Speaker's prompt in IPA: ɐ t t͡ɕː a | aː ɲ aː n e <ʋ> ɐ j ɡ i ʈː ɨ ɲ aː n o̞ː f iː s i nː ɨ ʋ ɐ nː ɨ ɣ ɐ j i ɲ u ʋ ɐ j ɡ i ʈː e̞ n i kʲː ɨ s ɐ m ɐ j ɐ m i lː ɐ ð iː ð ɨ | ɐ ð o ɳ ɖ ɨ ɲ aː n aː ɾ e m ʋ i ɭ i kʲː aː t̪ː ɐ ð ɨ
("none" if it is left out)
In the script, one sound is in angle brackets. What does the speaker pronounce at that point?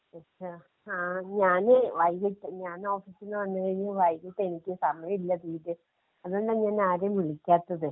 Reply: ʋ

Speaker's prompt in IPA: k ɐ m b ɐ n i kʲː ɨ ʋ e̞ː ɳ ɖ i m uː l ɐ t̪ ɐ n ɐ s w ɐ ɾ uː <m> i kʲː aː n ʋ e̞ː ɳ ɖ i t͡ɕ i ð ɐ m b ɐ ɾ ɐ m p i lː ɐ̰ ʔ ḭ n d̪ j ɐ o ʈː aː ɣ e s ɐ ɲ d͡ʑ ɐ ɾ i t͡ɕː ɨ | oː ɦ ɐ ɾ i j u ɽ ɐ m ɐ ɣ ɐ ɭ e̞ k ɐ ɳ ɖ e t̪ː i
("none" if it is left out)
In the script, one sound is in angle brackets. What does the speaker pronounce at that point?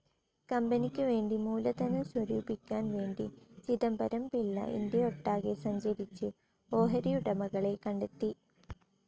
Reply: b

